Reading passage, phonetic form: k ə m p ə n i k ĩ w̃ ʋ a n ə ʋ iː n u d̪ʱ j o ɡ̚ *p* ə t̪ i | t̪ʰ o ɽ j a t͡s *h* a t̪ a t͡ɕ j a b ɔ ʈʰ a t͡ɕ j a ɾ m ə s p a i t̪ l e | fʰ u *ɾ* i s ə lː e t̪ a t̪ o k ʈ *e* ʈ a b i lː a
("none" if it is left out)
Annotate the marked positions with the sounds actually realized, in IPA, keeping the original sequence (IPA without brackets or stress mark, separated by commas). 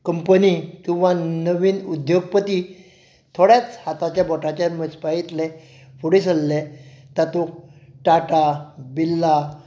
p, h, ɽ, a